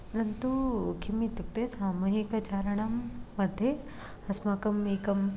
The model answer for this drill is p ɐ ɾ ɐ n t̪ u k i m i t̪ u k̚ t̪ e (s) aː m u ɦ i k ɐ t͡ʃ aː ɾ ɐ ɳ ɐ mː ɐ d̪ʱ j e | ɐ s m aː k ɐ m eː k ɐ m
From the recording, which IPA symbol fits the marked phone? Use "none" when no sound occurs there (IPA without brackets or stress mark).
s